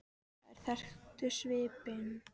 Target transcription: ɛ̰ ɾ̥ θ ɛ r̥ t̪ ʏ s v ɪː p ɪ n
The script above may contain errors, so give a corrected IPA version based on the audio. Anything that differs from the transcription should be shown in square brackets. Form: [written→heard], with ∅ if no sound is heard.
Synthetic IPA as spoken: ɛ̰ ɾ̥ θ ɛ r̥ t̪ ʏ s v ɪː p ɪ n

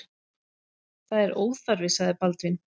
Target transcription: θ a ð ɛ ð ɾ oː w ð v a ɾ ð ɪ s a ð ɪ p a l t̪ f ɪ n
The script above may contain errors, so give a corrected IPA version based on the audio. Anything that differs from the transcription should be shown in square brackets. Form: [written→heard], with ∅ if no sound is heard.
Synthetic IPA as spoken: θ a ð ɛ [ð→∅] ɾ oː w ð [v→f] a ɾ [ð→v] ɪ s a ð ɪ p a l t̪ [f→v] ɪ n

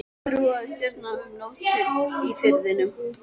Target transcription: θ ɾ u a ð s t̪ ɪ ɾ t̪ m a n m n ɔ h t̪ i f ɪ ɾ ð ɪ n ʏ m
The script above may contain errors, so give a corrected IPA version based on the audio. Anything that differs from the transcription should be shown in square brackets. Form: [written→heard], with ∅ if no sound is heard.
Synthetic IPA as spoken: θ ɾ u a ð s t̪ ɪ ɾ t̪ [m→n] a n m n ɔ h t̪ i f ɪ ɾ ð ɪ n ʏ m

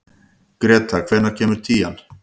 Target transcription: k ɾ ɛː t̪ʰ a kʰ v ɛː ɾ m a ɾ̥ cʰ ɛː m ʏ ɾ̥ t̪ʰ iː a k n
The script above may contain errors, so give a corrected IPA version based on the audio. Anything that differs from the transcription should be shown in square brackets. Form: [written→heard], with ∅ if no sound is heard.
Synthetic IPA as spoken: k ɾ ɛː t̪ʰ a kʰ v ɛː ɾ [m→n] a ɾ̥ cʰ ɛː m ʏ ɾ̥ t̪ʰ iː a [k→∅] n

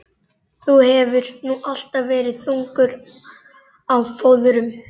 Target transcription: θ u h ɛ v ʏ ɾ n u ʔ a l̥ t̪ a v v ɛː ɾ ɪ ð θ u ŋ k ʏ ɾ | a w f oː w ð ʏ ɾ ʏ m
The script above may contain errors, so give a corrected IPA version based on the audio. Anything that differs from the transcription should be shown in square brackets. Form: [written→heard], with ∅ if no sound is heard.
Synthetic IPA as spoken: θ u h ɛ v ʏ ɾ n u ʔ a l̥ t̪ a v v ɛː ɾ ɪ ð θ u ŋ k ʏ ɾ | a w f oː w ð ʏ ɾ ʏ m

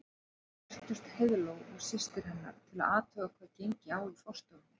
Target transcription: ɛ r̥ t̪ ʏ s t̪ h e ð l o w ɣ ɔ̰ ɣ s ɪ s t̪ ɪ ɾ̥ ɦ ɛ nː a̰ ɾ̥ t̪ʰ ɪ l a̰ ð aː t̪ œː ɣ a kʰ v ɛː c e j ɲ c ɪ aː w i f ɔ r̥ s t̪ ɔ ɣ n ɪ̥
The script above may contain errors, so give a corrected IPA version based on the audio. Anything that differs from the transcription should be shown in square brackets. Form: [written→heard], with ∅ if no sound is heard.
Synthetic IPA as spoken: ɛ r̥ t̪ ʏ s t̪ h e ð l o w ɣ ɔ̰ ɣ s ɪ s t̪ ɪ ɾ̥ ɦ ɛ nː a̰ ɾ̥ t̪ʰ ɪ l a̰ ð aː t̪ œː ɣ a kʰ v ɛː c e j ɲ c ɪ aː w i f ɔ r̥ s t̪ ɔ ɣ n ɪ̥

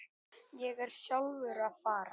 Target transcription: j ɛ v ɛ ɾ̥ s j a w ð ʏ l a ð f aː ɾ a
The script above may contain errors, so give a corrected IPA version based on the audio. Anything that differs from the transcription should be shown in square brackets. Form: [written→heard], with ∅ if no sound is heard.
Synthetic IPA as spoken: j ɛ [v→ɣ] ɛ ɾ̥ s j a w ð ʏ [l→ɾ] a ð f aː ɾ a

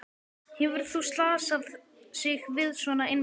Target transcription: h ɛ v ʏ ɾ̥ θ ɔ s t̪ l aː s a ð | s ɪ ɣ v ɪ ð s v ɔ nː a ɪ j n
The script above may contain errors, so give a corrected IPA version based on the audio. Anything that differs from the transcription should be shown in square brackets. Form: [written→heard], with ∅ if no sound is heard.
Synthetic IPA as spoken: h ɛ v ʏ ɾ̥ θ [ɔ→u] s t̪ l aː s a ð | s ɪ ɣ v ɪ ð s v ɔ [nː→n] a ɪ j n

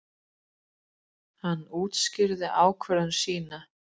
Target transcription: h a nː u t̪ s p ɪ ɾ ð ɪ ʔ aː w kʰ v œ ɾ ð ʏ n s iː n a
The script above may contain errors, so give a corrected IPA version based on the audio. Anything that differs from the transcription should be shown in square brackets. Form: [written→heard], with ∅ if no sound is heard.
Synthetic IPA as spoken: h a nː [u→uː] t̪ s [p→c] ɪ ɾ ð ɪ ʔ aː w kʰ v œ ɾ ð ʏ n s iː n a

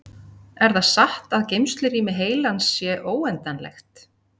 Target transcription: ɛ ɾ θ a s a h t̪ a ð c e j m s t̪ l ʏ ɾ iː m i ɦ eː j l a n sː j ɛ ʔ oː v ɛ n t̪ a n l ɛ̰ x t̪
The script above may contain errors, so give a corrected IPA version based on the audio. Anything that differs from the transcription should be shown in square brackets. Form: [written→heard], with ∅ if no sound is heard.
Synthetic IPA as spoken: ɛ ɾ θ a s a h t̪ a ð c e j m s t̪ l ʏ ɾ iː m [i→ɪ] ɦ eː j l a n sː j ɛ ʔ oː [v→w] ɛ n t̪ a n l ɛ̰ x t̪

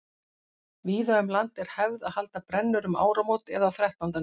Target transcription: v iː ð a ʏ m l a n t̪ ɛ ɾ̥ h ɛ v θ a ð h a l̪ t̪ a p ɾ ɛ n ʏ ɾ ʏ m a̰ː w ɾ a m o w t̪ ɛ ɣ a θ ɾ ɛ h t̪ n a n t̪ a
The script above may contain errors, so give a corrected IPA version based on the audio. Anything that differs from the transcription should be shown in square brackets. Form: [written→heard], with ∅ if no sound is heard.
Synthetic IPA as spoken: v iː ð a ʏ m l a n t̪ ɛ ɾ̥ h ɛ v [θ→ð] a ð h a l̪ t̪ a p ɾ ɛ [n→nː] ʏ ɾ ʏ m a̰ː w ɾ a m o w t̪ ɛ [ɣ→ð] a θ ɾ ɛ h t̪ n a n t̪ a

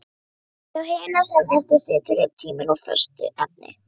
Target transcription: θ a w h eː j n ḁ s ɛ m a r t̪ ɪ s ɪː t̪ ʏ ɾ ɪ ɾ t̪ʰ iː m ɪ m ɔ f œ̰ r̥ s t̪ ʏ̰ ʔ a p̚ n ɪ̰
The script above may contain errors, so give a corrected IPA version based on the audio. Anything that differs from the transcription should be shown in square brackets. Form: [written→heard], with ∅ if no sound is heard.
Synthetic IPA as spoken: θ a w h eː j n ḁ s ɛ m [a→ɛ] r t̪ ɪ s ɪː t̪ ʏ ɾ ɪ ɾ t̪ʰ iː m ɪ [m→n] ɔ f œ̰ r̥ s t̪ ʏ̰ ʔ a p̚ n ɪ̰

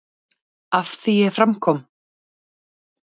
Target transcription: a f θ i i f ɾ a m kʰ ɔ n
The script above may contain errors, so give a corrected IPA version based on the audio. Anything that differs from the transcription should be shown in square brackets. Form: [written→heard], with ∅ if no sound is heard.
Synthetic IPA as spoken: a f θ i [i→ɛ] f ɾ a m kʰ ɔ [n→m]

